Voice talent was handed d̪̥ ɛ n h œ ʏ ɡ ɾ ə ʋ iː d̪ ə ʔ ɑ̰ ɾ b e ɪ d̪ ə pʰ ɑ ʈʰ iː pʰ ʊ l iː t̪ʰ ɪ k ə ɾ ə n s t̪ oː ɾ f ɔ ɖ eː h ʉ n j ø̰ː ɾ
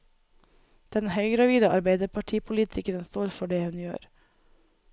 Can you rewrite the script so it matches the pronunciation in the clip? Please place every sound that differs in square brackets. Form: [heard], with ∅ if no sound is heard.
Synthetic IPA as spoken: d̪̥ ɛ n h œ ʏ ɡ ɾ [ɑ] ʋ iː d̪ ə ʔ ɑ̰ ɾ b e ɪ d̪ ə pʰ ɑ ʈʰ iː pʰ ʊ l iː t̪ʰ ɪ k ə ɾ ə n s t̪ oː ɾ f ɔ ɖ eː h ʉ n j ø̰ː ɾ